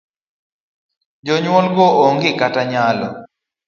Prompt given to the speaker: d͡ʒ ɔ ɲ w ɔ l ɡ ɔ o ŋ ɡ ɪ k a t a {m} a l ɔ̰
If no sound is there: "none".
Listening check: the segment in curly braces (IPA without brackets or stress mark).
ɲ